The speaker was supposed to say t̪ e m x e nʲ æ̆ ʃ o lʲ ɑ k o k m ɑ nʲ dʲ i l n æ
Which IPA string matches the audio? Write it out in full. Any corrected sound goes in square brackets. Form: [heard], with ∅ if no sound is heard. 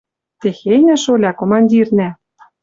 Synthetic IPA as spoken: t̪ e [∅] x e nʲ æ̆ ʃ o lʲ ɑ k o [∅] m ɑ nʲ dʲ i [r] n æ